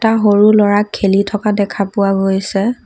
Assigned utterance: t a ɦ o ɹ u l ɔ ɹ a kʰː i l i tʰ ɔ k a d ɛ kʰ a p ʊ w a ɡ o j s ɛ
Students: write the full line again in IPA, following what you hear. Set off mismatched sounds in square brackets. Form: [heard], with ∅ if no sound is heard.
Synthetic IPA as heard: t a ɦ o ɹ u l ɔ ɹ a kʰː [e] l i tʰ ɔ k a d ɛ kʰ a p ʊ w a ɡ o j s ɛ